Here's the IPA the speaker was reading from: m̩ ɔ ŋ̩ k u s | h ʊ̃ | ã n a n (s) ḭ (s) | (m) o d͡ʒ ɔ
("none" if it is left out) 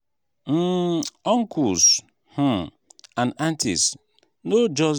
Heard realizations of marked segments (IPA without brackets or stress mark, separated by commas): t, s, n